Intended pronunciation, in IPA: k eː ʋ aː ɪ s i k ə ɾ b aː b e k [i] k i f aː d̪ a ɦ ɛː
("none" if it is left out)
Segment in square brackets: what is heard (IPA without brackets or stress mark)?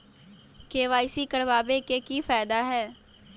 e